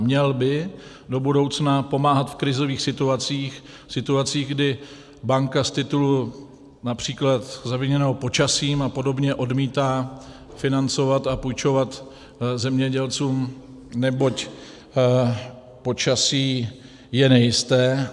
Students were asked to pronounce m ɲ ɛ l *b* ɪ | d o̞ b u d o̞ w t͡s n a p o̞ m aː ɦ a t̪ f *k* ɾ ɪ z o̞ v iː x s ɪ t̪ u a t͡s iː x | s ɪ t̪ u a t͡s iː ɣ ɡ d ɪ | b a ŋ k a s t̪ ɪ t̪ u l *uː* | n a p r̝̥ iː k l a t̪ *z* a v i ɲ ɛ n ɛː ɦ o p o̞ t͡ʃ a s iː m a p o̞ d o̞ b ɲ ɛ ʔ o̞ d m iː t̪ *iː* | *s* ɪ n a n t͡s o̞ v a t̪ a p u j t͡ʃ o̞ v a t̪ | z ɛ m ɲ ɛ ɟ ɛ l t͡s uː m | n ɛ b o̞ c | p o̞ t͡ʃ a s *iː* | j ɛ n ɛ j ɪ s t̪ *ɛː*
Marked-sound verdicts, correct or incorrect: correct, correct, incorrect: u, correct, incorrect: aː, incorrect: f, correct, correct

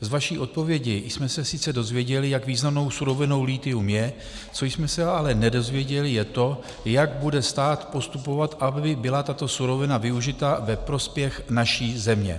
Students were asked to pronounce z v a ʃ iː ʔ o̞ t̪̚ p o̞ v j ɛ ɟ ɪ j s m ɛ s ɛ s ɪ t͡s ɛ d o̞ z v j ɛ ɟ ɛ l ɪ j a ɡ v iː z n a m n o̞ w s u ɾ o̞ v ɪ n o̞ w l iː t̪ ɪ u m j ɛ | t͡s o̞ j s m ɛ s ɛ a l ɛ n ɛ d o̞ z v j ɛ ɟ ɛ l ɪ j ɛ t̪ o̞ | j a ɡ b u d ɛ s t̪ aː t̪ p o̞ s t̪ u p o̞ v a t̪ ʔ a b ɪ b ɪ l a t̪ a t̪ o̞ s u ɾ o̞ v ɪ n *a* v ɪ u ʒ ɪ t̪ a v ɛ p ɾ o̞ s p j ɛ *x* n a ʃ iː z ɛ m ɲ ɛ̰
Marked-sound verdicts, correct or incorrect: correct, correct

